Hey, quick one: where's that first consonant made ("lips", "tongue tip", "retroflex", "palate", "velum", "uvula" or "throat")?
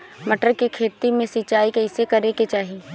lips